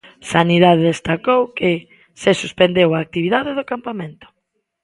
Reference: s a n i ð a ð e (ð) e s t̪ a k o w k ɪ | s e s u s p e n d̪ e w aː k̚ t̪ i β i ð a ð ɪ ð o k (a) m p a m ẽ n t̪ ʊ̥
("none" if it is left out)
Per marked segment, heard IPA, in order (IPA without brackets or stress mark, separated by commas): ð, a